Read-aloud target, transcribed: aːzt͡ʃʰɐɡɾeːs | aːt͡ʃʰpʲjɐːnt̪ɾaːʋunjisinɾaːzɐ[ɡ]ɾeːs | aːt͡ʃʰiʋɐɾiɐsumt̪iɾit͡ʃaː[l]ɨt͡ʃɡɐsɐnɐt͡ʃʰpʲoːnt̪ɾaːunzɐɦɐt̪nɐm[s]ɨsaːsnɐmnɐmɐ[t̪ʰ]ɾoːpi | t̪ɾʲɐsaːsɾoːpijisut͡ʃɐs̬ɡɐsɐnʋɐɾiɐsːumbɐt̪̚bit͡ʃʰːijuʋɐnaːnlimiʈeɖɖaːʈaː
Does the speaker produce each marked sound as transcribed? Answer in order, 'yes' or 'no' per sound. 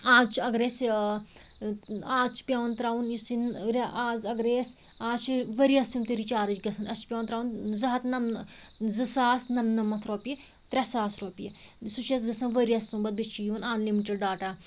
yes, no, no, yes

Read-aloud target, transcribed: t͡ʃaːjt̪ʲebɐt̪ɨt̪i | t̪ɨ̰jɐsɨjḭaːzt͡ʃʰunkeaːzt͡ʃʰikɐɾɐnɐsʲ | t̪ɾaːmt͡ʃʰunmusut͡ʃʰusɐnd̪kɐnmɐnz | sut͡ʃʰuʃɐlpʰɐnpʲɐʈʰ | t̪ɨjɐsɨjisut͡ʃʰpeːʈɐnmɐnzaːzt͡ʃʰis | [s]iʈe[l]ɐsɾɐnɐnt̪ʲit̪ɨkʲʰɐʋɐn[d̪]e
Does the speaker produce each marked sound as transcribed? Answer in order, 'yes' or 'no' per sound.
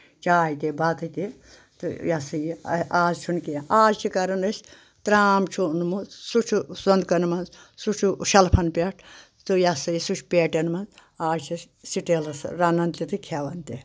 yes, yes, no

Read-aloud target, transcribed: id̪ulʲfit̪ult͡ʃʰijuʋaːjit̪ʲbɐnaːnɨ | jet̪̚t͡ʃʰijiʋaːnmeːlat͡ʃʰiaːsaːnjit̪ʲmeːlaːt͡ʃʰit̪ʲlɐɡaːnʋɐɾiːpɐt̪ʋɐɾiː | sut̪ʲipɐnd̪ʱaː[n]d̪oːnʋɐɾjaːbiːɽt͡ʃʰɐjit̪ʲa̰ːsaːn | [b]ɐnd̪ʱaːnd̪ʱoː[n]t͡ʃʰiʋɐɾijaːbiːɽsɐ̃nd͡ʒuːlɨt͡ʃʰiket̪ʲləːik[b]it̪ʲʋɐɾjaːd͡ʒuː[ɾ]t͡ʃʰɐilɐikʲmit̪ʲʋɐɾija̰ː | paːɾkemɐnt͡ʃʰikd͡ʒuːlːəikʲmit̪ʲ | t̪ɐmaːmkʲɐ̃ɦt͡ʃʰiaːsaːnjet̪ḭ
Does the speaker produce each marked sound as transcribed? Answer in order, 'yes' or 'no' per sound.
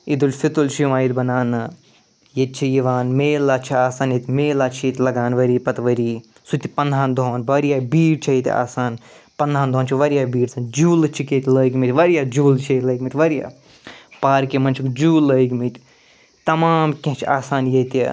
yes, no, yes, no, no

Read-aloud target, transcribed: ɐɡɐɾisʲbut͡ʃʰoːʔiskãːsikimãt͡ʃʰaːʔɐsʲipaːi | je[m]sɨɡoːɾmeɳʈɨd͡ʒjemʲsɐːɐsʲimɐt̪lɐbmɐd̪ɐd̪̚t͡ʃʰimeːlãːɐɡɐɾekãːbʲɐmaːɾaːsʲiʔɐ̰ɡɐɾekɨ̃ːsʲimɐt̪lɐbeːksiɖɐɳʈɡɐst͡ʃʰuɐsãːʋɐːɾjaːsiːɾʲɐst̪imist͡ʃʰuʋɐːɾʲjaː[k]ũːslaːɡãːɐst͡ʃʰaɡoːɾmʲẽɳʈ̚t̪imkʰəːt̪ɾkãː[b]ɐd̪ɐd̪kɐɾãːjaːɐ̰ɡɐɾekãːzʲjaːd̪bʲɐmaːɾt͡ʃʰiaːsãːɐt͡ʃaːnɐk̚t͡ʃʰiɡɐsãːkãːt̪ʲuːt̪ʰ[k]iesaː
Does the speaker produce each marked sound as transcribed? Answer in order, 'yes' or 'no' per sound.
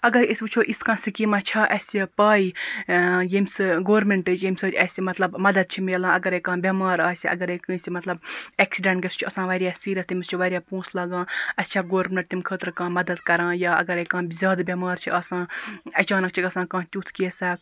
yes, no, no, yes

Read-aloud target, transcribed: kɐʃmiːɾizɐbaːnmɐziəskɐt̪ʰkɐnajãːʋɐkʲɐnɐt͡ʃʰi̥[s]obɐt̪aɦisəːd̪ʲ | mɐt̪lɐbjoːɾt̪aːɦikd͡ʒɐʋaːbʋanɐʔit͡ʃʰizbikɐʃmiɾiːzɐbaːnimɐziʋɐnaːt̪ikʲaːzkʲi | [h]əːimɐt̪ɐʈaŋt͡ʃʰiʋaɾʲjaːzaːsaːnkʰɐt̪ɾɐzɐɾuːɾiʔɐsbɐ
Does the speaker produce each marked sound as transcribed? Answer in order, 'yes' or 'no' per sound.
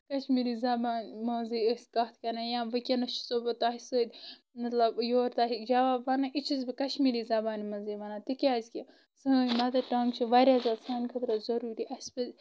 yes, no

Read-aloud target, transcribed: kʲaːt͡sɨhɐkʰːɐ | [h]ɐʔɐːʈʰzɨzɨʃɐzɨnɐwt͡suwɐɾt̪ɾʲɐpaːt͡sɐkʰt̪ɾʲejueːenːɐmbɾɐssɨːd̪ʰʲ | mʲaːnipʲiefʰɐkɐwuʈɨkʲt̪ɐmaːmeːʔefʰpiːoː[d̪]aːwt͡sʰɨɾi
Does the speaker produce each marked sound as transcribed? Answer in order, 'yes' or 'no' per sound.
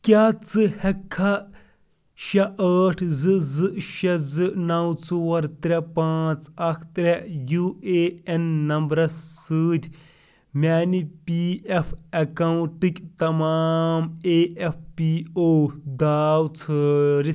no, yes

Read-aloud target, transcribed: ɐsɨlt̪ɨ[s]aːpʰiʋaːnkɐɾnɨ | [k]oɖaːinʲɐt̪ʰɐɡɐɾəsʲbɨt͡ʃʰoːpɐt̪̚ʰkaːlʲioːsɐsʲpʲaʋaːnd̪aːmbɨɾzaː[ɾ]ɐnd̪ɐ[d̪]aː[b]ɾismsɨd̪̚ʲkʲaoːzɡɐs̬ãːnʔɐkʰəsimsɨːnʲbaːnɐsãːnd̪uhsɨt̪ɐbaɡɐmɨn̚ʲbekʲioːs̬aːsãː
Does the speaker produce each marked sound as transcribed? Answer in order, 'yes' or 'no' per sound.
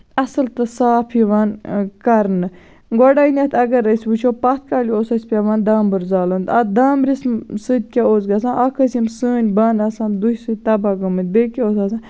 yes, no, no, yes, no

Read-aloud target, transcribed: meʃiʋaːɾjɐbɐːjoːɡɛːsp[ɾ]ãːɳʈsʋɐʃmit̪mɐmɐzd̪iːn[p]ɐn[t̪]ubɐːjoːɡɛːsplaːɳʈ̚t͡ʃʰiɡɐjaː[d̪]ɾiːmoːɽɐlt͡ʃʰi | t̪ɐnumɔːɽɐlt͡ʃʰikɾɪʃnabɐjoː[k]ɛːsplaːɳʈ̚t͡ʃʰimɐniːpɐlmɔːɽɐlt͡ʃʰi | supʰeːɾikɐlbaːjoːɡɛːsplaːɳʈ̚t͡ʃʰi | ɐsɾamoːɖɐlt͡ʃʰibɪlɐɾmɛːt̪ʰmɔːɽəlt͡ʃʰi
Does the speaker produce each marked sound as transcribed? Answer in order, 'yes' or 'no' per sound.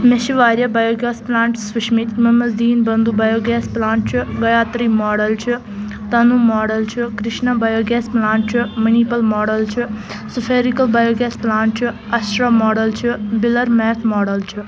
no, no, no, no, no

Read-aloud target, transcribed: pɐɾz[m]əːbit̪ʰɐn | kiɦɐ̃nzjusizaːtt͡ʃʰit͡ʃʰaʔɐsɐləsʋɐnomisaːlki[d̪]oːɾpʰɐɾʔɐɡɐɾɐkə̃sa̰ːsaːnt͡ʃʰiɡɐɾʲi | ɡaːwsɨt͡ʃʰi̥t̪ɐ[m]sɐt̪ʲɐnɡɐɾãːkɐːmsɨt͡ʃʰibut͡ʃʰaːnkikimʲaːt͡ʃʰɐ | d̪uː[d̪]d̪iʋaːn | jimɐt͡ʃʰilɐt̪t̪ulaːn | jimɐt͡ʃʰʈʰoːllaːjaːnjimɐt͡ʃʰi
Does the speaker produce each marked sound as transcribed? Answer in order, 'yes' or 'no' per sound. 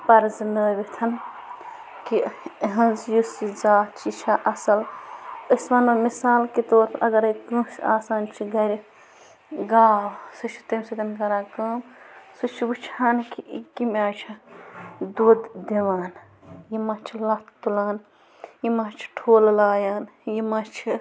no, no, yes, yes

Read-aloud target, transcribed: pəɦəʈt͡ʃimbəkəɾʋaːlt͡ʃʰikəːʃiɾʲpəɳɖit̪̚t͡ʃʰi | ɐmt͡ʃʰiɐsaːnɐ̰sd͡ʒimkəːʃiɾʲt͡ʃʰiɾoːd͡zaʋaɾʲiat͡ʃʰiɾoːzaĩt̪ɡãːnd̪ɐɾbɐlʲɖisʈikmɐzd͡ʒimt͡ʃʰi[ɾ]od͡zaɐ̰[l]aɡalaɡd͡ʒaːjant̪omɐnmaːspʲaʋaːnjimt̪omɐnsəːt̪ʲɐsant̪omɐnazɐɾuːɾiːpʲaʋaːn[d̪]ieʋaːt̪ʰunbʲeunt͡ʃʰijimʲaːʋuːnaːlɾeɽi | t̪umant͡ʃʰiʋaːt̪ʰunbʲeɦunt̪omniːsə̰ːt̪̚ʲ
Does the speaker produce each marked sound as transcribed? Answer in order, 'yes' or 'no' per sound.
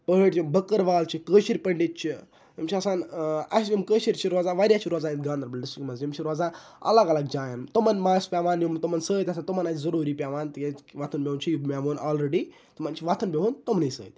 yes, yes, no

